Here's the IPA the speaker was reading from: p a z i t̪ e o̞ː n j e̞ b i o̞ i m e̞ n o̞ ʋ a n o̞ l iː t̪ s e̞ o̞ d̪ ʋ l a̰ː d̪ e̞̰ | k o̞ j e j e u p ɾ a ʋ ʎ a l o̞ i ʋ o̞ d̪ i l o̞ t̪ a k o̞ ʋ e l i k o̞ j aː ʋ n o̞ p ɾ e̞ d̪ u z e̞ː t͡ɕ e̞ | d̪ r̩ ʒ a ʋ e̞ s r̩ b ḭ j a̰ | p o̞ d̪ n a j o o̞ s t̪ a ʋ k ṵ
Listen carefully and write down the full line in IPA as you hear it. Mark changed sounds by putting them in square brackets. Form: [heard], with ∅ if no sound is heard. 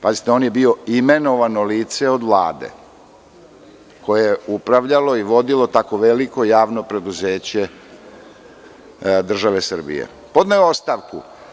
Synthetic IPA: p a z i t̪ e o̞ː n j e̞ b i o̞ i m e̞ n o̞ ʋ a n o̞ l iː t̪ s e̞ o̞ d̪ ʋ l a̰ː d̪ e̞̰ | k o̞ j e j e u p ɾ a ʋ ʎ a l o̞ i ʋ o̞ d̪ i l o̞ t̪ a k o̞ ʋ e l i k o̞ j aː ʋ n o̞ p ɾ e̞ d̪ u z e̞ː t͡ɕ e̞ | d̪ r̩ ʒ a ʋ e̞ s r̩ b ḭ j [ḛ] | p o̞ d̪ n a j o o̞ s t̪ a ʋ k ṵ